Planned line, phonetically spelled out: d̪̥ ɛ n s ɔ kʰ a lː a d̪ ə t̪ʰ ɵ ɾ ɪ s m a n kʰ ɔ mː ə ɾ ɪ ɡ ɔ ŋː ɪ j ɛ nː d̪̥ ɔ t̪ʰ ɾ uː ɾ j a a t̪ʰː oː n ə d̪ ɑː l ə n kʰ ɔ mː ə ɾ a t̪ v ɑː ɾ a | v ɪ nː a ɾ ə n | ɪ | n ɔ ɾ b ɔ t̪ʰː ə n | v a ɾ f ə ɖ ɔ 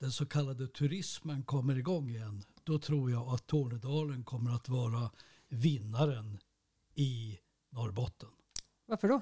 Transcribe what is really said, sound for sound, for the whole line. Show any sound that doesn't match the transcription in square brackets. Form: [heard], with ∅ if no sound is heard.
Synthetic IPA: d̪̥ ɛ n s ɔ kʰ a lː a d̪ ə t̪ʰ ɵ ɾ ɪ s m [ə] n kʰ ɔ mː ə ɾ ɪ ɡ ɔ ŋː ɪ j ɛ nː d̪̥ ɔ t̪ʰ ɾ uː ɾ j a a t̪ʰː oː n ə d̪ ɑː l ə n kʰ ɔ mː ə ɾ a t̪ v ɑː ɾ a | v ɪ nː a ɾ ə n | ɪ | n ɔ ɾ b ɔ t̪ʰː ə n | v a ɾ f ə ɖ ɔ